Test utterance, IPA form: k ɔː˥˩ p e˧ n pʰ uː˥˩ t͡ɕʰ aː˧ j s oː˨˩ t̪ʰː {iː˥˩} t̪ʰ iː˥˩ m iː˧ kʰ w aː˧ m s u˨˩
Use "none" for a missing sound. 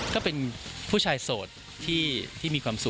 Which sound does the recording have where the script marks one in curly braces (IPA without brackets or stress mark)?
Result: iː˥˩